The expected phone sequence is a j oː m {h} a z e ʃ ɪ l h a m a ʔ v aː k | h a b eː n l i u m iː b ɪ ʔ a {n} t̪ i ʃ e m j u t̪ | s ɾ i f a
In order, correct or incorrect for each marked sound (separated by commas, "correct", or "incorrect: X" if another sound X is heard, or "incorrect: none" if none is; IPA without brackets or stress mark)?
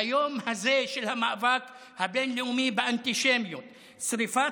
correct, correct